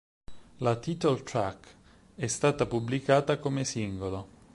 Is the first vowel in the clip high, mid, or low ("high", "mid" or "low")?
low